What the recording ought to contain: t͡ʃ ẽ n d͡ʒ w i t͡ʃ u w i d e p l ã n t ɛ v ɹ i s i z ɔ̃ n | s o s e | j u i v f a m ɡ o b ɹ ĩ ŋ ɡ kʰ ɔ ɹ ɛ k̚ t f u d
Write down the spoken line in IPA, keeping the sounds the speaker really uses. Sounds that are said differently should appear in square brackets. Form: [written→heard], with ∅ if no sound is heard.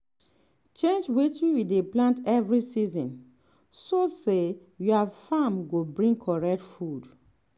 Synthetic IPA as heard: t͡ʃ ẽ n d͡ʒ w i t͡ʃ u w i d e p l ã n t ɛ v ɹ i s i z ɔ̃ n | s o s e | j u [i→a] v f a m ɡ o b ɹ ĩ ŋ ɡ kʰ ɔ ɹ ɛ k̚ t f u d